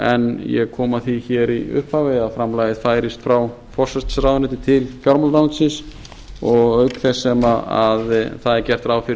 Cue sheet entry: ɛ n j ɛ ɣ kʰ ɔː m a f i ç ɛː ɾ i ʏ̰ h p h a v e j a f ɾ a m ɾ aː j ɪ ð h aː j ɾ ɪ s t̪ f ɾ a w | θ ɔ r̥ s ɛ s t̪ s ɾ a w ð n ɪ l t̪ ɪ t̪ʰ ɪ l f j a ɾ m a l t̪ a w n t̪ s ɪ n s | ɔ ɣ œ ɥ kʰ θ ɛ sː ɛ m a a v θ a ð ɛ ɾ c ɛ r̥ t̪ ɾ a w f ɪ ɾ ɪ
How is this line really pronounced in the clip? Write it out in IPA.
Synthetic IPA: ɛ n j ɛ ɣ kʰ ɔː m a θ i ç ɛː ɾ i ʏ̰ h p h a v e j a f ɾ a m l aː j ɪ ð f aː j ɾ ɪ s t̪ f ɾ a w | f ɔ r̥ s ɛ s t̪ s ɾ a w ð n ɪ t̪ ɪ t̪ʰ ɪ l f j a ɾ m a l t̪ a w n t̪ s ɪ n s | ɔ ɣ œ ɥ k θ ɛ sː ɛ m a a ð θ a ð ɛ ɾ c ɛ r̥ t̪ ɾ a w f ɪ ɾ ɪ